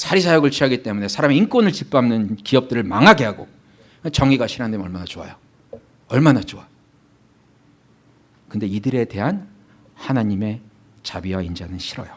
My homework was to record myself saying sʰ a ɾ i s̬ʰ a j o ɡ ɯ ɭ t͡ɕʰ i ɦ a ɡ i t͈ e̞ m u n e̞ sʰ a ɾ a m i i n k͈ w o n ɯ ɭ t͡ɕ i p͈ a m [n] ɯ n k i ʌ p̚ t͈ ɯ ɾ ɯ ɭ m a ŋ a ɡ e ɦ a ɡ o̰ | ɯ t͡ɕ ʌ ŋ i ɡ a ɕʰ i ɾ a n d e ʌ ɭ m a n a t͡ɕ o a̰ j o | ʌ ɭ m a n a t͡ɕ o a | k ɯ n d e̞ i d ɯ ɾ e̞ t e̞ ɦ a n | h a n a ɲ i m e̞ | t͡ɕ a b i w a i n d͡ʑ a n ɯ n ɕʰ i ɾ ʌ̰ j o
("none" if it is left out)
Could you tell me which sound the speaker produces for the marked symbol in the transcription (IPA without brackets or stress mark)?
n